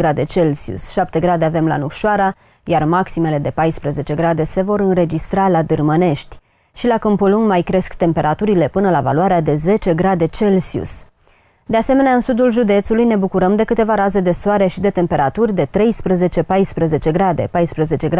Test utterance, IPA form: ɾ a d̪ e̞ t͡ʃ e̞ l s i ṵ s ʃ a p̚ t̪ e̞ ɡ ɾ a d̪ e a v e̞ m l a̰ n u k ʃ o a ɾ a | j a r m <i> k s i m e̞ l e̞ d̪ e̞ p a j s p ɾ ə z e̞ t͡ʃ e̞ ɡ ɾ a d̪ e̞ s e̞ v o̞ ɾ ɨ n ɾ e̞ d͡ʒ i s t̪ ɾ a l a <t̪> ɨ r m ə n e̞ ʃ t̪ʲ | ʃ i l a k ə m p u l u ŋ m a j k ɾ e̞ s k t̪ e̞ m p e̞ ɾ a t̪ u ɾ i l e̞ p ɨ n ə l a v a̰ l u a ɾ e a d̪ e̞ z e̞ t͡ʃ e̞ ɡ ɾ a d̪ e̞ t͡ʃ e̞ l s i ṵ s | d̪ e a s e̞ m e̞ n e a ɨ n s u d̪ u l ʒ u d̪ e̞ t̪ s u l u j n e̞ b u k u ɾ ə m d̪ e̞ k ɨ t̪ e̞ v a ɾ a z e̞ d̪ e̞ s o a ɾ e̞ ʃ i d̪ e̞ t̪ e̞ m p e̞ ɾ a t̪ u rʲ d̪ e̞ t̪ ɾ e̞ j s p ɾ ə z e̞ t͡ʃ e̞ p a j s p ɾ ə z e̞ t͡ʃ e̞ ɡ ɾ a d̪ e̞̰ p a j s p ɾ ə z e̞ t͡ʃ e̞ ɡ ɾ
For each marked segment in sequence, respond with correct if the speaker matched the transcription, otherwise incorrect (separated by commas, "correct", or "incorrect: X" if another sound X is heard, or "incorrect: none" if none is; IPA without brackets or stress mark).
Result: incorrect: a, incorrect: d̪